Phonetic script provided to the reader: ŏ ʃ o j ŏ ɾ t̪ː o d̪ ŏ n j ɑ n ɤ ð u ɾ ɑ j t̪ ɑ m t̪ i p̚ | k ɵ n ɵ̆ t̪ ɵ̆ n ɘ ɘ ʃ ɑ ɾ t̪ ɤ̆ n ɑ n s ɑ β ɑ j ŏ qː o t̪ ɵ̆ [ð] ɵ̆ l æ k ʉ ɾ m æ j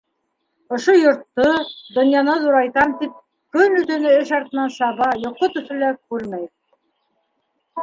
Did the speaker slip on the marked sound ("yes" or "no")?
yes